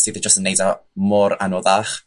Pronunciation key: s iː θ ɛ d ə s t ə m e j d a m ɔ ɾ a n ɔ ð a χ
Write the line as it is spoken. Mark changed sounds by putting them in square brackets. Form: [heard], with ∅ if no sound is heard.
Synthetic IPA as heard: s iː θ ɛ [d͡ʒ] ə s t ə [n] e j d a m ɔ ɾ a n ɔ ð a χ